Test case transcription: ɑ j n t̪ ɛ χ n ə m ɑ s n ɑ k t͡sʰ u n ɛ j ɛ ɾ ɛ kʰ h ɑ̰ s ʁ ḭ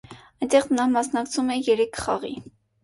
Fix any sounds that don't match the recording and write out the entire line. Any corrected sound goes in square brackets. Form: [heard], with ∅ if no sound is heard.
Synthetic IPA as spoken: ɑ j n t̪ ɛ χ n [ɑ] m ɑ s n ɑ k t͡sʰ u [m] ɛ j ɛ ɾ ɛ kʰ [χ] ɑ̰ [∅] ʁ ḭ